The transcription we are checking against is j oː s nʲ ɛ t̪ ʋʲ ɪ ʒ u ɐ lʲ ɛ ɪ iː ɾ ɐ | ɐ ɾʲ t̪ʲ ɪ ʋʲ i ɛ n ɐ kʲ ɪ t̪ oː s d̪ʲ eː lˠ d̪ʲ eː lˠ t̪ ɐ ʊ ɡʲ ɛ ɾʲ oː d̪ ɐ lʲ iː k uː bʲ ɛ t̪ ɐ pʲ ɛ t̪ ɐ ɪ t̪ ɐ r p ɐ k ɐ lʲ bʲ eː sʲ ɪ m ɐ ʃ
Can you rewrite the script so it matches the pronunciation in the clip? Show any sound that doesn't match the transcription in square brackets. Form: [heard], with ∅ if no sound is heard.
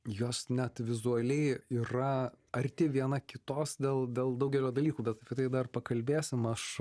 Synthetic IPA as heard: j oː s nʲ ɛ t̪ ʋʲ ɪ [z] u ɐ lʲ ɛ ɪ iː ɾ ɐ | ɐ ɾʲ t̪ʲ ɪ ʋʲ i ɛ n ɐ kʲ ɪ t̪ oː s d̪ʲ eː lˠ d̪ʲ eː lˠ [d̪] ɐ ʊ ɡʲ ɛ [lʲ] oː d̪ ɐ lʲ iː k uː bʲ ɛ t̪ ɐ pʲ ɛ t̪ ɐ ɪ [d̪] ɐ r p ɐ k ɐ lʲ bʲ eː sʲ ɪ m ɐ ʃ

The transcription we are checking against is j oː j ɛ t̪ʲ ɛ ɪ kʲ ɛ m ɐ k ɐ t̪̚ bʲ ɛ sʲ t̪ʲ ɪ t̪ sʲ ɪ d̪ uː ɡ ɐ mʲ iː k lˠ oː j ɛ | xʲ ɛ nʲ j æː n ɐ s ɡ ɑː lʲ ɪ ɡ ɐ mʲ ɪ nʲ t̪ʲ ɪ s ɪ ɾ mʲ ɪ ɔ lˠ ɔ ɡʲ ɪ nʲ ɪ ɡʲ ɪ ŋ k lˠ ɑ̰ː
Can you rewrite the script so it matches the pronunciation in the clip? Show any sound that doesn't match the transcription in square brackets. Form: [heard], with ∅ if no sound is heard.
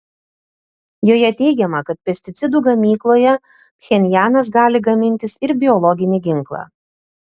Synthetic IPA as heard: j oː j ɛ t̪ʲ ɛ ɪ [ɡʲ] ɛ m ɐ k ɐ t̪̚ [pʲ] ɛ sʲ t̪ʲ ɪ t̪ sʲ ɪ d̪ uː ɡ ɐ mʲ iː k lˠ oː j ɛ | xʲ ɛ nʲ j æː n ɐ s ɡ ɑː lʲ ɪ ɡ ɐ mʲ ɪ nʲ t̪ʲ ɪ s ɪ ɾ [bʲ] ɪ ɔ lˠ ɔ ɡʲ ɪ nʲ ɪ ɡʲ ɪ ŋ k lˠ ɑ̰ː

